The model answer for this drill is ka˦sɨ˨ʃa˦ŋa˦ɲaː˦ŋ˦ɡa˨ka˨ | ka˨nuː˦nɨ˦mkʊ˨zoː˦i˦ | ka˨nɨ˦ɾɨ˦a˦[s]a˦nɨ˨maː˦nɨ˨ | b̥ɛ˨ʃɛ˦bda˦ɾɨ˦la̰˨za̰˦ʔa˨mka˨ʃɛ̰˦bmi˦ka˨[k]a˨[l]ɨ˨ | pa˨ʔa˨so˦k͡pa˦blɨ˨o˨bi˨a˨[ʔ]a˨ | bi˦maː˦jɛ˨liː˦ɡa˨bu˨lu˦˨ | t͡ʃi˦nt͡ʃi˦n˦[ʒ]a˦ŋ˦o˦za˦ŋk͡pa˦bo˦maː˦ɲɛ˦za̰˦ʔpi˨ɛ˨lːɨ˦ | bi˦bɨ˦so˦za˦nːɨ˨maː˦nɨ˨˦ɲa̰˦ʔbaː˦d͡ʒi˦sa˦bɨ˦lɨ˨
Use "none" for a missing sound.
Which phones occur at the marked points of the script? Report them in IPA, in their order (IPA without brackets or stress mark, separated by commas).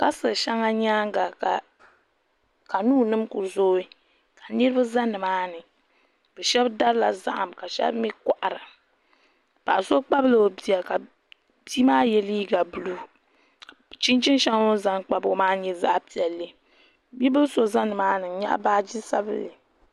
z, ʔ, ɾ, k, ʃ